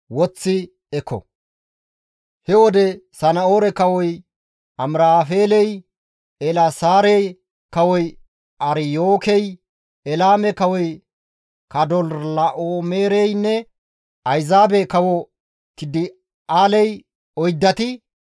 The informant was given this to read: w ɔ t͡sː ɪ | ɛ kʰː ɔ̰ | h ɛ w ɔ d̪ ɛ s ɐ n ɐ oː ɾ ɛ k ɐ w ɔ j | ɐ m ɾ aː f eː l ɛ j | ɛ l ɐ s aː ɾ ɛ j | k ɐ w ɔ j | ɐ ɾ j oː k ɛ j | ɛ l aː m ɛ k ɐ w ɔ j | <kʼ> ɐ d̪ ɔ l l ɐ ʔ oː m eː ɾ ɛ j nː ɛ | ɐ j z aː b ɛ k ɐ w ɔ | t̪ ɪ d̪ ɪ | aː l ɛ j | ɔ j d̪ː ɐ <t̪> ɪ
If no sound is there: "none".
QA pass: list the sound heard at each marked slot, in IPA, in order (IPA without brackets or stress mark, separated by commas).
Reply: k, t̪